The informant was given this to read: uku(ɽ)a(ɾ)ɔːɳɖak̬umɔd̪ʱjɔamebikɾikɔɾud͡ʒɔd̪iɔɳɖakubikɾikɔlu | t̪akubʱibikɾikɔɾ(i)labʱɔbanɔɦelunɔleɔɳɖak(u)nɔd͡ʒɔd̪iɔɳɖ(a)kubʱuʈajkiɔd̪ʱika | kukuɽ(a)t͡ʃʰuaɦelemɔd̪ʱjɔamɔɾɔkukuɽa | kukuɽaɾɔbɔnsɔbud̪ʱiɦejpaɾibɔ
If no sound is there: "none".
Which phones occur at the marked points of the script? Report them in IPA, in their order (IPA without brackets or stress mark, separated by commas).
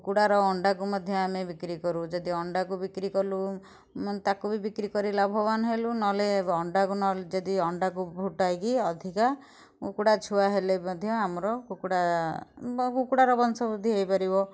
ɽ, ɾ, i, u, a, a